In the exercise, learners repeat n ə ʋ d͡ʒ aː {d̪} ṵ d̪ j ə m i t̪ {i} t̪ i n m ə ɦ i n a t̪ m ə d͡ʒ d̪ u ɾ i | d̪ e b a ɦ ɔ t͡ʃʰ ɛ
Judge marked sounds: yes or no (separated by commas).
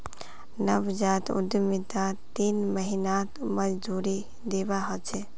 no, no